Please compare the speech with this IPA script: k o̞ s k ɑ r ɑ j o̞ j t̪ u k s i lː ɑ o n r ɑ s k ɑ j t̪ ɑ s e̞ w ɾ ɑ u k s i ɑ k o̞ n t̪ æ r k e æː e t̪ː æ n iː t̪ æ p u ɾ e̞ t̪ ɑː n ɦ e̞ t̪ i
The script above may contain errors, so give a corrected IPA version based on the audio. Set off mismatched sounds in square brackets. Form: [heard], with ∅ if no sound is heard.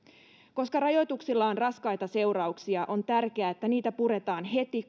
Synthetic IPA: k o̞ s k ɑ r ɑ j o̞ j t̪ u k s i lː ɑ o n r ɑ s k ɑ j t̪ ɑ s e̞ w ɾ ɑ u k s i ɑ [ʔ] o̞ n t̪ æ r k e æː e t̪ː æ n iː t̪ æ p u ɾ e̞ t̪ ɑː n ɦ e̞ t̪ i